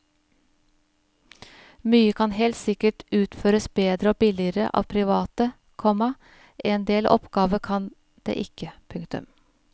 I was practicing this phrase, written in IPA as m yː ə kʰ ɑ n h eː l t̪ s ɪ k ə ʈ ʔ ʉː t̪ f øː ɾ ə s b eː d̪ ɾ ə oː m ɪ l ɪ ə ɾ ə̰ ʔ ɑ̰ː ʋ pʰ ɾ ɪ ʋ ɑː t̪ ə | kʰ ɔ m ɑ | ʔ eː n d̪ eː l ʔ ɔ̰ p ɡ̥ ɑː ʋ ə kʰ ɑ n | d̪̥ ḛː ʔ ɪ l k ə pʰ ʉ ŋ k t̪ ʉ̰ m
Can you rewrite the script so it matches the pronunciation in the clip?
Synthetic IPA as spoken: m yː ə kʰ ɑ n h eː l t̪ s ɪ k ə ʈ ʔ ʉː t̪ f øː ɾ ə s b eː d̪ ɾ ə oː b ɪ l ɪ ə ɾ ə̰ ʔ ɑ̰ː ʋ pʰ ɾ ɪ ʋ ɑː t̪ ə | kʰ ɔ m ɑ | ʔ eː n d̪ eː l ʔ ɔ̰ p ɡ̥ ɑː ʋ ə kʰ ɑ n | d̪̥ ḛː ʔ ɪ k ə pʰ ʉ ŋ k t̪ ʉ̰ m